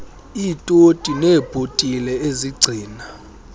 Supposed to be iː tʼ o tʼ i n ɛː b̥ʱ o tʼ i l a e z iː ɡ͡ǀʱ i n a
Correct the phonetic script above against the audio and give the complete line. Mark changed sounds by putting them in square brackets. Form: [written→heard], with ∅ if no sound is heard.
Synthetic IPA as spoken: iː tʼ o tʼ i n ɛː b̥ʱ o tʼ i l [a→ɛ] e z [iː→i] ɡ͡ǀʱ [i→iː] n a